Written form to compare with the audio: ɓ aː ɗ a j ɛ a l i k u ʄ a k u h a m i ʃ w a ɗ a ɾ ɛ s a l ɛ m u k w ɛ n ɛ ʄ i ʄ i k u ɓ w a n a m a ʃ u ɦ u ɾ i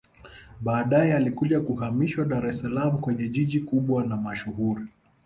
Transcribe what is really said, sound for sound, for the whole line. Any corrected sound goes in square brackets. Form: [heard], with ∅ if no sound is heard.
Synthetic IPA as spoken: ɓ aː ɗ a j ɛ a l i k u ʄ a k u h a m i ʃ w a ɗ a ɾ ɛ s a l [a] m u k w ɛ [ɲ] ɛ ʄ i ʄ i k u ɓ w a n a m a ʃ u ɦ u ɾ i